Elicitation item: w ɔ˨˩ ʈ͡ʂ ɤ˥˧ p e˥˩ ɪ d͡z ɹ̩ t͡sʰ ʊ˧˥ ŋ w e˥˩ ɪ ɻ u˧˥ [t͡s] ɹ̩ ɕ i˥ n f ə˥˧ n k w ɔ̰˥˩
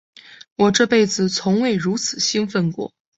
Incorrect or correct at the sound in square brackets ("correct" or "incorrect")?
incorrect